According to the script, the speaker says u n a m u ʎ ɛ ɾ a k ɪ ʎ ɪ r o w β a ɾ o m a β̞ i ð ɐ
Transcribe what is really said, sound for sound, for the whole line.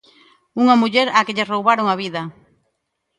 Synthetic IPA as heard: u ŋ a m u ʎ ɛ ɾ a k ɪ ʎ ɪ r o w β a ɾ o ŋ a β̞ i ð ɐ